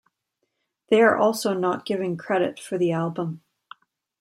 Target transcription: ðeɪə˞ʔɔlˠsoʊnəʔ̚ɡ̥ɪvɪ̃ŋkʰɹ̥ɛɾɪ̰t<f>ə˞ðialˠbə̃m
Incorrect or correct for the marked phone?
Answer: correct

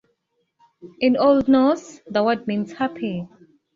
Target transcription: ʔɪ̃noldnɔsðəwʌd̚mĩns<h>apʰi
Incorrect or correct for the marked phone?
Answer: correct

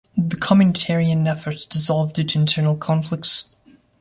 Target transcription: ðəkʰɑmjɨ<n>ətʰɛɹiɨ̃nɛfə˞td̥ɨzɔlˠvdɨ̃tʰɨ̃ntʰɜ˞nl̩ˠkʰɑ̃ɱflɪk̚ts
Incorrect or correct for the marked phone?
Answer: correct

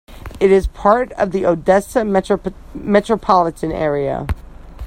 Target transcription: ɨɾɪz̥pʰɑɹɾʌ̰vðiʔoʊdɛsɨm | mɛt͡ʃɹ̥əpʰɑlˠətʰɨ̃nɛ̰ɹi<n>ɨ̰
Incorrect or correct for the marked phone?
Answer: incorrect: none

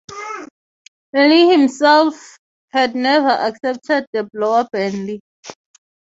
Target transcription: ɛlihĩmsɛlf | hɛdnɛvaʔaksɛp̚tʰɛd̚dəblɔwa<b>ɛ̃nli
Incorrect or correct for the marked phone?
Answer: correct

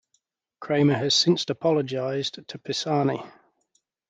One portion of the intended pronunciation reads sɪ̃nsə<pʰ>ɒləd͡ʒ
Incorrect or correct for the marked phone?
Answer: correct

